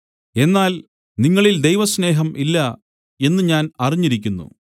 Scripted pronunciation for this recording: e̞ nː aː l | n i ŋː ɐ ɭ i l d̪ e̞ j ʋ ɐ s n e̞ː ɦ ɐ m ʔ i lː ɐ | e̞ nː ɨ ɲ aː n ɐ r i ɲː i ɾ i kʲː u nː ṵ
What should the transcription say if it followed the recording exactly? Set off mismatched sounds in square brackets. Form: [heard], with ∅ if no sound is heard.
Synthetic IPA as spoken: e̞ nː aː l | n i ŋː ɐ ɭ i l d̪ e̞ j ʋ ɐ s n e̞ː ɦ ɐ m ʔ i lː ɐ | e̞ nː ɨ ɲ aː n ɐ r i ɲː i ɾ i kʲː u nː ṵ